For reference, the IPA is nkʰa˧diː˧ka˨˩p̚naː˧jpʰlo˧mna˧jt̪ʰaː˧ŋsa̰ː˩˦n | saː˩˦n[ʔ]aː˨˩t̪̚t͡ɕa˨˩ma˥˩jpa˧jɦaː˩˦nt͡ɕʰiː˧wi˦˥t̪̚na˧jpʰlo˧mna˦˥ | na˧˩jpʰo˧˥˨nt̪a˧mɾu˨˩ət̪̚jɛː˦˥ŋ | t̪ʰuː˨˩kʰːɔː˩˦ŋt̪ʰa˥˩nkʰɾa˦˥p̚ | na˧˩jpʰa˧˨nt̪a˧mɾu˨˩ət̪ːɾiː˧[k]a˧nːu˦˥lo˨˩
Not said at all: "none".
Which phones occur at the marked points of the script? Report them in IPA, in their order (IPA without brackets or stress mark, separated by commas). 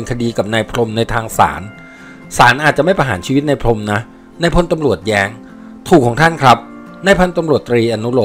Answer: ʔ, ʔ